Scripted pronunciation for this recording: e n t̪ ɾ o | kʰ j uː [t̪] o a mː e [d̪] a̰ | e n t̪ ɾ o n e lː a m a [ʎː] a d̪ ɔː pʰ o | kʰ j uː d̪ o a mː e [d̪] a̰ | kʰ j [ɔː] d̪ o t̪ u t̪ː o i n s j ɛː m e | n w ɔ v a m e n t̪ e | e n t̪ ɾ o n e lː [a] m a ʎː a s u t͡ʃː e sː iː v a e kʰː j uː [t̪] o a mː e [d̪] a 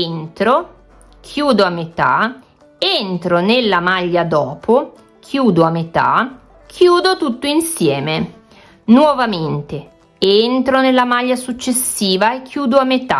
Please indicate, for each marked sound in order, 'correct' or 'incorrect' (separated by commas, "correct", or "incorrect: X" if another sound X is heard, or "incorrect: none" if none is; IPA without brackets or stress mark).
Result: incorrect: d̪, incorrect: t̪, correct, incorrect: t̪, incorrect: uː, correct, incorrect: d̪, incorrect: t̪